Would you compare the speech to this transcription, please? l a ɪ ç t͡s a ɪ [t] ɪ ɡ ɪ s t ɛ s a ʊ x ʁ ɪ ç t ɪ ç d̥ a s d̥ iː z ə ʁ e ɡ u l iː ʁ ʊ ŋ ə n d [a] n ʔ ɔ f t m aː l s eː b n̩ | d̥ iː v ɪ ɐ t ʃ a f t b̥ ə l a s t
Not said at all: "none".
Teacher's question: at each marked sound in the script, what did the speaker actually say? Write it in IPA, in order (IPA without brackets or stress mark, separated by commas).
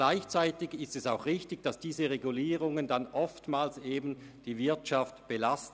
t, a